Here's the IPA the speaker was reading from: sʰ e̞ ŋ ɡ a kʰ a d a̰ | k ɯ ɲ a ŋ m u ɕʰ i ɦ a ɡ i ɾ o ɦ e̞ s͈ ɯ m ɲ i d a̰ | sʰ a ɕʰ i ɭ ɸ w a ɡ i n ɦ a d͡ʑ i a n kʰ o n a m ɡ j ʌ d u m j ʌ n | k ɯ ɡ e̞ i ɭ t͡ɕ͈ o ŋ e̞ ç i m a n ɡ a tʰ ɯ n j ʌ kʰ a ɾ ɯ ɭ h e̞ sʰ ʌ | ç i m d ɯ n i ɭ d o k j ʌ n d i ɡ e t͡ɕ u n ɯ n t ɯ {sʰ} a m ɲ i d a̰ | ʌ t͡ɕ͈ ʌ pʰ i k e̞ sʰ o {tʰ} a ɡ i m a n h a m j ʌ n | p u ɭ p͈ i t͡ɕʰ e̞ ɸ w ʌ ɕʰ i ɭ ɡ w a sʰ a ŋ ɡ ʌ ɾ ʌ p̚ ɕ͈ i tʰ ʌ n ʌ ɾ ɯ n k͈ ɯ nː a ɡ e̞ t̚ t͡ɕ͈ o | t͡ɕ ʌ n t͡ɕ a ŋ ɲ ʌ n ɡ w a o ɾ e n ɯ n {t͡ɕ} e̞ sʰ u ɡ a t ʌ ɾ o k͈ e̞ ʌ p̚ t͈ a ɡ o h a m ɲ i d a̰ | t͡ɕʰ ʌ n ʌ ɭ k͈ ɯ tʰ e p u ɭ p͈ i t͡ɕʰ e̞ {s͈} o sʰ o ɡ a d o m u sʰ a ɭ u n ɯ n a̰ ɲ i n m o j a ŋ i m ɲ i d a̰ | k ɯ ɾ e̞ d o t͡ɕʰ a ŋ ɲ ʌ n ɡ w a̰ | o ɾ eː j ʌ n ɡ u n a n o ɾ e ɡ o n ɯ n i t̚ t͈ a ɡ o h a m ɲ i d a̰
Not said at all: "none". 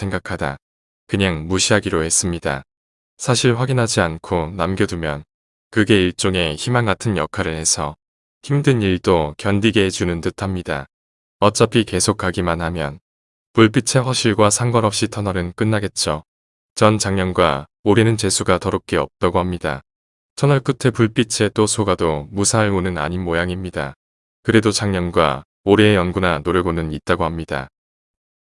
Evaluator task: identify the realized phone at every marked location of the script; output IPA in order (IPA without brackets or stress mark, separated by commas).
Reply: tʰ, kʰ, t͡ɕ, t͈